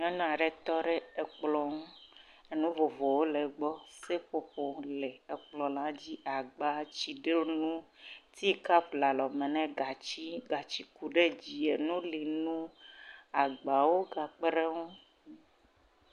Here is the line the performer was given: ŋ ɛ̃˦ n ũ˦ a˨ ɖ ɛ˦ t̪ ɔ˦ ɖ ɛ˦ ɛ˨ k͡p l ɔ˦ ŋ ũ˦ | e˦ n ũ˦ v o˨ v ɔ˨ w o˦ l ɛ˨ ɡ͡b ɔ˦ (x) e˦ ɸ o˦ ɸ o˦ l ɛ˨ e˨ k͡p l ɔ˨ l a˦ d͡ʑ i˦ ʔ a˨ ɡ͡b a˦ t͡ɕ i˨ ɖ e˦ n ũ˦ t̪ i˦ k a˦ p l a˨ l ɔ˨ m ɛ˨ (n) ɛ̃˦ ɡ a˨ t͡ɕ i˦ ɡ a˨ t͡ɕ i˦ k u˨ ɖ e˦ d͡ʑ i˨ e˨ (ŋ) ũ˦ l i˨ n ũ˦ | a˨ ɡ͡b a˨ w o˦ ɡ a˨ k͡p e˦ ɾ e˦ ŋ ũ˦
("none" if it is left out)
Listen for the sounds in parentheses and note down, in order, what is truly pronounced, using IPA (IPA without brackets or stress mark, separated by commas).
s, n, n